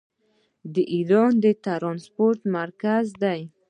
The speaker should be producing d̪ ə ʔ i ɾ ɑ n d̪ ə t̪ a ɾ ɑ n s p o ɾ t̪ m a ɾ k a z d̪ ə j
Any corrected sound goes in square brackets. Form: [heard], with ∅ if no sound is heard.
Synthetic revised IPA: d̪ ə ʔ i ɾ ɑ n d̪ ə t̪ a ɾ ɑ n s p o ɾ t̪ m a ɾ k a z d̪ [a] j